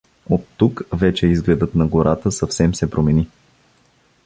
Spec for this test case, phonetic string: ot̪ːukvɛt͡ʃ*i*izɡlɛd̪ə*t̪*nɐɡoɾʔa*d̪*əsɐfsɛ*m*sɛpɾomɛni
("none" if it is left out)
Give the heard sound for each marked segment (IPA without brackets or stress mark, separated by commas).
ɛ, t̪, t̪, m